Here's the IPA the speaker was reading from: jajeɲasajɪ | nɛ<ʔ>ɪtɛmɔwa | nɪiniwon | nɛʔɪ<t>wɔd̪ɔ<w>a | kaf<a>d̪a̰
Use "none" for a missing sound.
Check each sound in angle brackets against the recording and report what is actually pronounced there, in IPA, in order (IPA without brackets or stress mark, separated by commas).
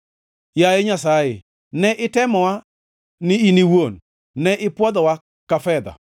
ʔ, p, w, ɛ